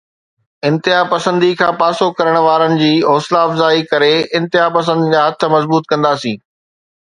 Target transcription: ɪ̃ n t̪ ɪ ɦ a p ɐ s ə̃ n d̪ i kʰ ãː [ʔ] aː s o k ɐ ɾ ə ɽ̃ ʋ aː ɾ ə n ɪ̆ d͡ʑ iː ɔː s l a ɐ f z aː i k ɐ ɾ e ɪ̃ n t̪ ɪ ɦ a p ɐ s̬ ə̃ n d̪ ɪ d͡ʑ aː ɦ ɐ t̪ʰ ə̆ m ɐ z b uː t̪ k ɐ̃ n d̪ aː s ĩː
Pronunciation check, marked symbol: incorrect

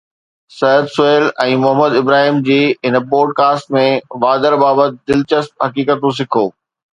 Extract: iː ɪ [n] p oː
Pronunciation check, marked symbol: correct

